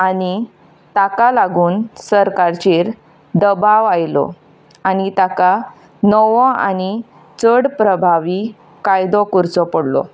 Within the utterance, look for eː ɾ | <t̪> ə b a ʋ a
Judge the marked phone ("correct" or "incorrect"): incorrect